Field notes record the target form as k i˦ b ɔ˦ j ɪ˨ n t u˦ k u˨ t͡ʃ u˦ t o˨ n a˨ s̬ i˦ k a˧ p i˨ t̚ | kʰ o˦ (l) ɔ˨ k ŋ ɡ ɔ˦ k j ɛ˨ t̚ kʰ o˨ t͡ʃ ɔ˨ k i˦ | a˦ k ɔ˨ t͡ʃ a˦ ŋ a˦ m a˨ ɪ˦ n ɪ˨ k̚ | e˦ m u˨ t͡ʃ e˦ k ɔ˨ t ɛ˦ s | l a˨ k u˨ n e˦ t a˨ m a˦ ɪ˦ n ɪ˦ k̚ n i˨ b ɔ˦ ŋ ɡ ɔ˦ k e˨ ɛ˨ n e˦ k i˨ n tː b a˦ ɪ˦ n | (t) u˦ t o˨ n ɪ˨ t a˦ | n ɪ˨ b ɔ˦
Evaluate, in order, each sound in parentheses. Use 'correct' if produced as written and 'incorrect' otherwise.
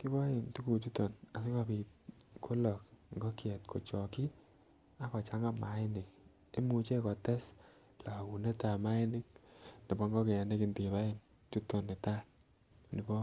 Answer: correct, incorrect

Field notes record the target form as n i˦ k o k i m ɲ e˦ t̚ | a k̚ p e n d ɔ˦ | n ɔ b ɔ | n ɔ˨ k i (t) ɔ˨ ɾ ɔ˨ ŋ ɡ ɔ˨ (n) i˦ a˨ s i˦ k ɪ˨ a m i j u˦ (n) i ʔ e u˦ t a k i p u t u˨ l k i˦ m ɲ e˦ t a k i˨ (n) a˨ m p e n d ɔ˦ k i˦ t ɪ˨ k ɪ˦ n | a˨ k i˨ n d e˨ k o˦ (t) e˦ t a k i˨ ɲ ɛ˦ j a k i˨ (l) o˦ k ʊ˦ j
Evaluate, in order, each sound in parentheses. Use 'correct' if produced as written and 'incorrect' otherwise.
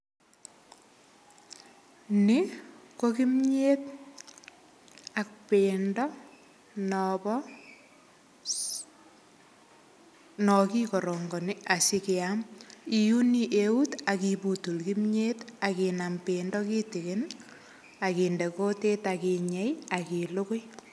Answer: incorrect, correct, correct, correct, correct, correct

